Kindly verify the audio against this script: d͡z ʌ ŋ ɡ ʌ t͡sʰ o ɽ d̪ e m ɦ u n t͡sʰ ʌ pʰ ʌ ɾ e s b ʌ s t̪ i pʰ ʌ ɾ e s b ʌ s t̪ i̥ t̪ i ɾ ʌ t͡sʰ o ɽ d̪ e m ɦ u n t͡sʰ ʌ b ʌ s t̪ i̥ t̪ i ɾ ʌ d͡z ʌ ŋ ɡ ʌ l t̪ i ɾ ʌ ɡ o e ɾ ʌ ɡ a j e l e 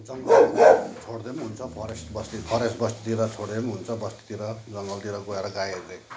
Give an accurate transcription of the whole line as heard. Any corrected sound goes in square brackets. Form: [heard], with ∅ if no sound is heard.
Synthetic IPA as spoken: d͡z ʌ ŋ ɡ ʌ t͡sʰ o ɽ d̪ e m ɦ u n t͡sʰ ʌ pʰ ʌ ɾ e s b ʌ s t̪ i pʰ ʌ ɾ e s b ʌ s t̪ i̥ t̪ i ɾ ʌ t͡sʰ o ɽ d̪ e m ɦ u n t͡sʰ ʌ b ʌ s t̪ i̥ t̪ i ɾ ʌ d͡z ʌ ŋ ɡ ʌ l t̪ i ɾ ʌ ɡ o e ɾ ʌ ɡ a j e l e